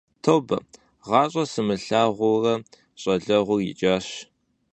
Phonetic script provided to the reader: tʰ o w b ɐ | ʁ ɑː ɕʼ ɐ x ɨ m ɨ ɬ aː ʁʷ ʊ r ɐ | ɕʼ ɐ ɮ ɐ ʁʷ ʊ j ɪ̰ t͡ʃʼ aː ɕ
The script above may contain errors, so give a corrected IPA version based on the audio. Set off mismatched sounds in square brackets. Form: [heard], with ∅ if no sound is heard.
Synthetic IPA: tʰ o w b ɐ | ʁ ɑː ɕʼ ɐ [s] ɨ m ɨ ɬ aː ʁʷ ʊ r ɐ | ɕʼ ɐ ɮ ɐ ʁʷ ʊ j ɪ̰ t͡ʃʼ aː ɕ